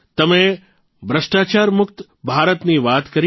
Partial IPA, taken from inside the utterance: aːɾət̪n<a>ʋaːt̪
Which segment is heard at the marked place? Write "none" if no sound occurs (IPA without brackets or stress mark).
i